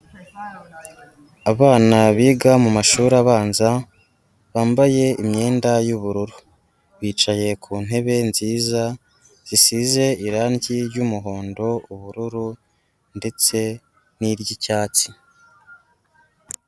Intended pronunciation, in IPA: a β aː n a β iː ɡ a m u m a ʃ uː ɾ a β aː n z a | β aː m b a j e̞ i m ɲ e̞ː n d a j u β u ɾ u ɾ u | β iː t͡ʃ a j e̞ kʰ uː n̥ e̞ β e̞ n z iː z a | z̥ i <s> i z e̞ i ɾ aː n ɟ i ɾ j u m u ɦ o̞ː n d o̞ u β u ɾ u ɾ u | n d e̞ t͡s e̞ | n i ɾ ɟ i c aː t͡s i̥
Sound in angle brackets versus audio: correct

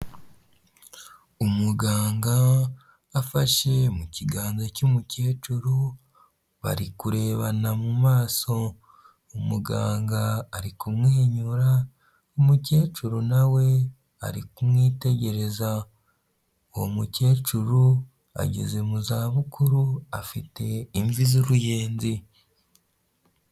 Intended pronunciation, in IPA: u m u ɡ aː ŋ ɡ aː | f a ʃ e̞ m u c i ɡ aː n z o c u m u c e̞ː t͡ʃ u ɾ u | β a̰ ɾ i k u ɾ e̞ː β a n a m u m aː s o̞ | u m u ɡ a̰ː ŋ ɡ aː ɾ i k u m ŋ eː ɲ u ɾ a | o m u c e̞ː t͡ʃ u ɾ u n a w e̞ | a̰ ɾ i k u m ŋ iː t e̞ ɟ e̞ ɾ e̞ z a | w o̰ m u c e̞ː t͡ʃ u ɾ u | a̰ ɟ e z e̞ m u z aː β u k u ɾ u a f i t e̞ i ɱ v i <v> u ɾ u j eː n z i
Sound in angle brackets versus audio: incorrect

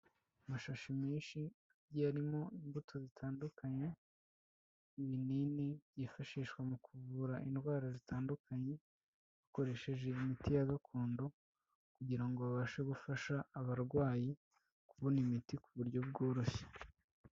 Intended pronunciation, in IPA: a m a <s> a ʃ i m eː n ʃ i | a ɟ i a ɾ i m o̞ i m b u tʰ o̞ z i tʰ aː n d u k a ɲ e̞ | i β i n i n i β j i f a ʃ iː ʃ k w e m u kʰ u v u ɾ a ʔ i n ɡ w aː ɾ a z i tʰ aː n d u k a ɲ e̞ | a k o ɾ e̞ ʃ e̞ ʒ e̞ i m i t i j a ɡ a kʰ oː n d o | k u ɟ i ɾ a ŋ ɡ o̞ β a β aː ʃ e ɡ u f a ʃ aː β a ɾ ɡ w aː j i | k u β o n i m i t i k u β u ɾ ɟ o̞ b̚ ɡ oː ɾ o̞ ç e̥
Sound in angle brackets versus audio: incorrect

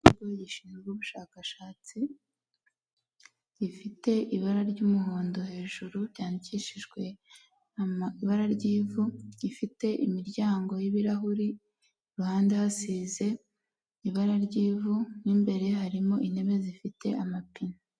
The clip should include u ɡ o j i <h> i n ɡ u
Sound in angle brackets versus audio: incorrect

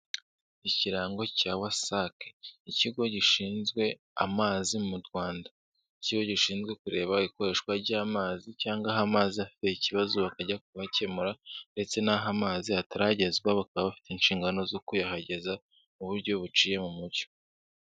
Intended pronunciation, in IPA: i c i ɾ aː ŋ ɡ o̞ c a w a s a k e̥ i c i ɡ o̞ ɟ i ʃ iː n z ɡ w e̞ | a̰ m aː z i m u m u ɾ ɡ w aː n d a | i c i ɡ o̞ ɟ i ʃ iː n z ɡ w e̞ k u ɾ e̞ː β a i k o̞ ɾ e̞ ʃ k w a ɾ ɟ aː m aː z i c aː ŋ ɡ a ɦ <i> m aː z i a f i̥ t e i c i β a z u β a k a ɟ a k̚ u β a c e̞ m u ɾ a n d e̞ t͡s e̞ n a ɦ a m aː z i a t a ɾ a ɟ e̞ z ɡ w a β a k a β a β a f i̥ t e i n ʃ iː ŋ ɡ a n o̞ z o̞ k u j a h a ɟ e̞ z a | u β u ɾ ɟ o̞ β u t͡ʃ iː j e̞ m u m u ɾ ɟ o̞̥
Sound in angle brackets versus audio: incorrect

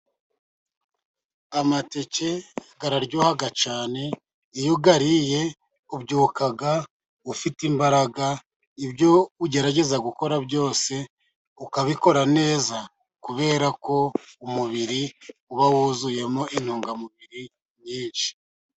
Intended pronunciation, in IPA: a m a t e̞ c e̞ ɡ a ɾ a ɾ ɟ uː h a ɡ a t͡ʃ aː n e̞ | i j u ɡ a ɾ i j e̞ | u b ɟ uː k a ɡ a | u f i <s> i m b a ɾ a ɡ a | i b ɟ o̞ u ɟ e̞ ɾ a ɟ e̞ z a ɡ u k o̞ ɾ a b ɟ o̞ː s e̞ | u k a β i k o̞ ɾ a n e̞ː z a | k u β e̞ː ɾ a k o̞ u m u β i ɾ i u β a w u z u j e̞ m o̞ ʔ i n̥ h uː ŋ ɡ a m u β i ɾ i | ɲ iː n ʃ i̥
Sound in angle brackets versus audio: incorrect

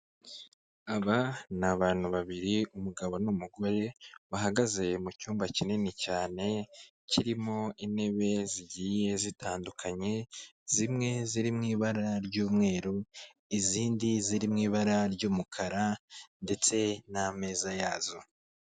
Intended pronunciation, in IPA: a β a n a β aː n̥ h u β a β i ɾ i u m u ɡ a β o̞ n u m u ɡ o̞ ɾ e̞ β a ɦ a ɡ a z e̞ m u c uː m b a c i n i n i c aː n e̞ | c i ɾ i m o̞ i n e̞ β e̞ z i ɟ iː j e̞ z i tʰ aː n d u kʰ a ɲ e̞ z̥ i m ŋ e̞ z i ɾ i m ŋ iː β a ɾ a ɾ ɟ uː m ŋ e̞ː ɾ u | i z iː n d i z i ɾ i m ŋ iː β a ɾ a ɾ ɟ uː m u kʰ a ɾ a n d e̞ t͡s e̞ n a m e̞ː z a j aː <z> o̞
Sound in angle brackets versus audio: correct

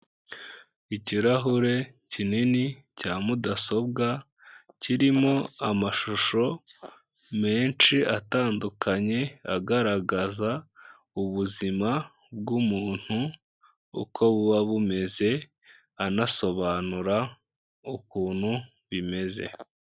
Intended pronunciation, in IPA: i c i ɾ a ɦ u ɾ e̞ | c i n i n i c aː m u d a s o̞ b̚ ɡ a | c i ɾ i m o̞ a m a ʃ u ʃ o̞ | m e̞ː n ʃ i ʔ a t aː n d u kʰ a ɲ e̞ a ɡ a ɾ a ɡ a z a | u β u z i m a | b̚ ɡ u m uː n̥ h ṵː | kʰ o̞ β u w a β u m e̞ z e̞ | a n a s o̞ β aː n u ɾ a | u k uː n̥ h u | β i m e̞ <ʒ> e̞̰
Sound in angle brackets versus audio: incorrect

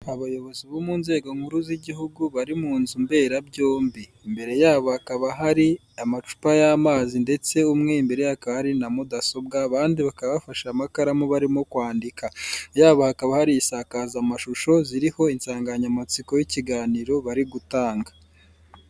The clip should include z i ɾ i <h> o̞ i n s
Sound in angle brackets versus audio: correct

